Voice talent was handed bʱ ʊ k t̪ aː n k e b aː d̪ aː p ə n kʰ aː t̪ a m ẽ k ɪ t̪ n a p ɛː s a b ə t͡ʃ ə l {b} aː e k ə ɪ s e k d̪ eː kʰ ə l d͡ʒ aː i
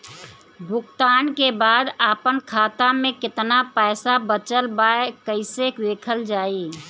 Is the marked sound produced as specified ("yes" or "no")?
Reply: yes